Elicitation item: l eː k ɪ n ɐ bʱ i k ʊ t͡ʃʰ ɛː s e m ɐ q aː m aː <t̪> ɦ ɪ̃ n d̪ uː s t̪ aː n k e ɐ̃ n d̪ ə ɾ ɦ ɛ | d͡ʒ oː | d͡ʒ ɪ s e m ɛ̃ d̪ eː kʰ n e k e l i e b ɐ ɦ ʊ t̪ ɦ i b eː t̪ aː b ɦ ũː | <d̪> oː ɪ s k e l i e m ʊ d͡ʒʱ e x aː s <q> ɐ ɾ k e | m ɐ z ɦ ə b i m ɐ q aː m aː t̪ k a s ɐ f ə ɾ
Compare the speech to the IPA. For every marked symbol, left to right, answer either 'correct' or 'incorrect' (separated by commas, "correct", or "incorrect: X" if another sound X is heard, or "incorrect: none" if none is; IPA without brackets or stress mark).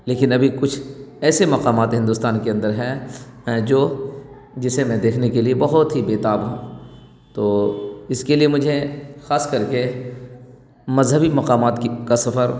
correct, incorrect: t̪, incorrect: k